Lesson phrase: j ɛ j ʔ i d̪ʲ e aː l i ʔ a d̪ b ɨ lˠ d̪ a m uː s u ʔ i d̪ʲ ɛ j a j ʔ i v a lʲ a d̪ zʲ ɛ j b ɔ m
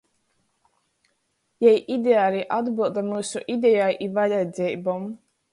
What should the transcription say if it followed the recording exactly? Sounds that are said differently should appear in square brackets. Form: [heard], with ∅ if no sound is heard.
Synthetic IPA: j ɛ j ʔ i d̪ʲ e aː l i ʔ a d̪ b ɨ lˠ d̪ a m uː s u ʔ i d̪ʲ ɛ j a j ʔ i v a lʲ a d̪ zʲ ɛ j b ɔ m